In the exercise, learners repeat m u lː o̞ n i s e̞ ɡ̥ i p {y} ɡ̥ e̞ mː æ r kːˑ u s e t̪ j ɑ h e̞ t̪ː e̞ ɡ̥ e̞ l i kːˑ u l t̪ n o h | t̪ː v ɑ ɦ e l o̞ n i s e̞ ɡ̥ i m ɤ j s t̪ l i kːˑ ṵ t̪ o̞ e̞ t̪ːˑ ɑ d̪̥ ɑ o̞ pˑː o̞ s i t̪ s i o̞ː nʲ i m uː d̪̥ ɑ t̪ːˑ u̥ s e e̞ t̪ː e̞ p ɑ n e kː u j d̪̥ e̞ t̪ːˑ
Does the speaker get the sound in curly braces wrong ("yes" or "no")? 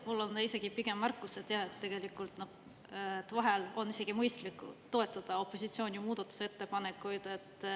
yes